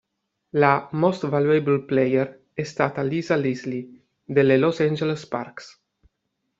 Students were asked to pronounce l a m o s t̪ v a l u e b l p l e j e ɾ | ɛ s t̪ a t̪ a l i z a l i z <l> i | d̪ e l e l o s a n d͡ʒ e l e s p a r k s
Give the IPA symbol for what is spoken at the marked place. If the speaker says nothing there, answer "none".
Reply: l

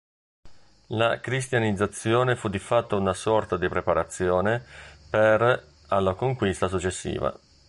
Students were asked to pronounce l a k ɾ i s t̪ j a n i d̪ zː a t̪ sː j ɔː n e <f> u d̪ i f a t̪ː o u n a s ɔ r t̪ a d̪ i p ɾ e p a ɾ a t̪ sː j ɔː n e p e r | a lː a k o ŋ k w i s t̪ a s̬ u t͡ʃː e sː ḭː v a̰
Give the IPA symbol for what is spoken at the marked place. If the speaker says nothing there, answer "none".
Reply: f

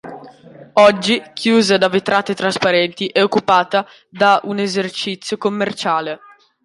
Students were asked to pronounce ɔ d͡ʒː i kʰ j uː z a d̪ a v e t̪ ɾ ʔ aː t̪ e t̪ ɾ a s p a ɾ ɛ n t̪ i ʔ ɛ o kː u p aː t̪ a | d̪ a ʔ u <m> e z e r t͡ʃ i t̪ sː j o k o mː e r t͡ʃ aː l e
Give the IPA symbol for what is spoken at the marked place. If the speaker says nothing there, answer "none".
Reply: n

